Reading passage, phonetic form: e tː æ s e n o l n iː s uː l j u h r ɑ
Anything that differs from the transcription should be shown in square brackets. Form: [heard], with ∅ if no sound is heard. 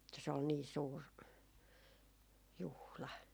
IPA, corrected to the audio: e tː æ s e [∅] o l n iː s uː [r] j u h [l] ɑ